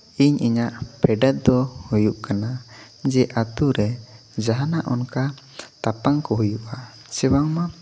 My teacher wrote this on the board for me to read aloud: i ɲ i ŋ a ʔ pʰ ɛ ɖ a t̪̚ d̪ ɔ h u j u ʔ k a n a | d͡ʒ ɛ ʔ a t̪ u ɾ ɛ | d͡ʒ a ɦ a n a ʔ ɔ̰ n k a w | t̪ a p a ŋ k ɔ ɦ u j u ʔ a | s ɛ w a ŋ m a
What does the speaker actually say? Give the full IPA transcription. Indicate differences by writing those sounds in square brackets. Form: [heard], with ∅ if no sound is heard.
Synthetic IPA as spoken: i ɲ i [ɲ] a ʔ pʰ ɛ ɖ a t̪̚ d̪ ɔ h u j u ʔ k a n a | d͡ʒ ɛ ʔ a t̪ u ɾ ɛ | d͡ʒ a ɦ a n a ʔ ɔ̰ n k a [∅] | t̪ a p a ŋ k ɔ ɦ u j u ʔ a | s ɛ w a ŋ m a